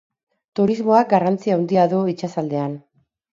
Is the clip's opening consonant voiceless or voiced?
voiceless